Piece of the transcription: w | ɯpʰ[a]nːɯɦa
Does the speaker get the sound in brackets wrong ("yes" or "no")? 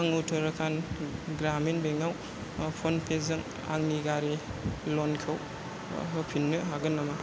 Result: yes